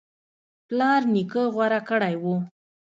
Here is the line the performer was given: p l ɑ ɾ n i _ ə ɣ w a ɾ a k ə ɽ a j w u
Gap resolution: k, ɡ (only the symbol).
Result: k